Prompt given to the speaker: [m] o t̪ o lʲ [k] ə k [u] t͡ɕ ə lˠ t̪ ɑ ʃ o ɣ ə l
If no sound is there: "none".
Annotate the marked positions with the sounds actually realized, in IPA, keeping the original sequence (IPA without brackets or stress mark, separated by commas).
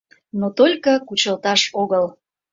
n, k, u